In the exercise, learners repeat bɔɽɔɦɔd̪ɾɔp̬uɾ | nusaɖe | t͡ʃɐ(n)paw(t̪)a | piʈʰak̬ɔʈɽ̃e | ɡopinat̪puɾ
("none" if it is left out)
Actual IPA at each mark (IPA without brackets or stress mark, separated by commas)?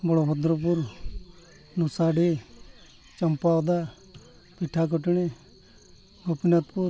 m, d̪